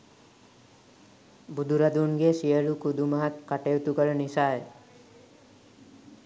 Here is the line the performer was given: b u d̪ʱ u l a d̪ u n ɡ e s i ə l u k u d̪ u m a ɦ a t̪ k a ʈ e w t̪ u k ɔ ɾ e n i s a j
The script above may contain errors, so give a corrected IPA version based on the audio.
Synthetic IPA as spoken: b u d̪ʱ u ɾ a d̪ u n ɡ e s i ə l u k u d̪ u m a ɦ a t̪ k a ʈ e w t̪ u k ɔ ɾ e n i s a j